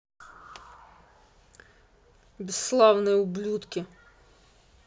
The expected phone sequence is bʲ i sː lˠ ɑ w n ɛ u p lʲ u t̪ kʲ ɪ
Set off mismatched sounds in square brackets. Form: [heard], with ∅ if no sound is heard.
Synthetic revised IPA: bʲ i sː lˠ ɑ w n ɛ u [b] lʲ u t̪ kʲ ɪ